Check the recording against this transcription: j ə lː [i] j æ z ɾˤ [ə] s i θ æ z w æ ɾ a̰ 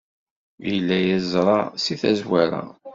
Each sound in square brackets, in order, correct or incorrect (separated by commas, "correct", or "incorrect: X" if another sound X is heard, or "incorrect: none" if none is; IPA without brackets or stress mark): incorrect: æ, incorrect: ɑ